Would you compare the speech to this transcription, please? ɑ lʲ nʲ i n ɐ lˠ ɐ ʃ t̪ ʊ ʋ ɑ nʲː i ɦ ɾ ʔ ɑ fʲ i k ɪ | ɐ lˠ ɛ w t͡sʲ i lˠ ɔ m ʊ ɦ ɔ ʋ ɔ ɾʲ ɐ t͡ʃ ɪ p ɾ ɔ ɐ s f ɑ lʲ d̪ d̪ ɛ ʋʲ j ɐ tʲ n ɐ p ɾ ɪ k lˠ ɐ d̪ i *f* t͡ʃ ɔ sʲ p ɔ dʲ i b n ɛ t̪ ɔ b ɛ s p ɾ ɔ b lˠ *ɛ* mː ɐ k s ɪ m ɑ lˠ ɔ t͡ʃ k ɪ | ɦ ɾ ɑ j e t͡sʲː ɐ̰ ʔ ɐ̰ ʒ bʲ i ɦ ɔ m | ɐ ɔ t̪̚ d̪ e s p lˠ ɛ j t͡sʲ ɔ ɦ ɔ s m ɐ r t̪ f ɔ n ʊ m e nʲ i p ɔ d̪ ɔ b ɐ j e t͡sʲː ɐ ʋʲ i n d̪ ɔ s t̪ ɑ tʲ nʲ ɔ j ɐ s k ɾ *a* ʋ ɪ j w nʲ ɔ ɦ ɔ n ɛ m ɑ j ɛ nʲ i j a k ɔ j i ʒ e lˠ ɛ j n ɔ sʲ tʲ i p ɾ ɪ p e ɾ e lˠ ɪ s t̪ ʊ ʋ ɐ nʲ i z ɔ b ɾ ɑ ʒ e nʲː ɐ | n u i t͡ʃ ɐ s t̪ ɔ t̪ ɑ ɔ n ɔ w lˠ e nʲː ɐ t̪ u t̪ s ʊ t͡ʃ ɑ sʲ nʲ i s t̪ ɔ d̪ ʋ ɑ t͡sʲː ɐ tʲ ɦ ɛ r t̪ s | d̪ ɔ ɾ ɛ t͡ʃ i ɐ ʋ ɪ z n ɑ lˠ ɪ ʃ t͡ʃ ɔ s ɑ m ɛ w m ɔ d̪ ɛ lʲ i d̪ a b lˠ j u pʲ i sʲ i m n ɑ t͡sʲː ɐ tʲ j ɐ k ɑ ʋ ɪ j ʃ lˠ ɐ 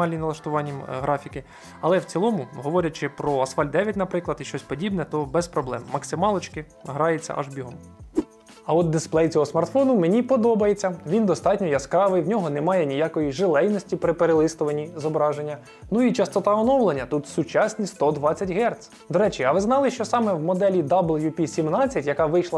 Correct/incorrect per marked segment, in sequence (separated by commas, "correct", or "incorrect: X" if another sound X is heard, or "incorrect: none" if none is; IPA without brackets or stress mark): incorrect: ʃ, correct, incorrect: ɑ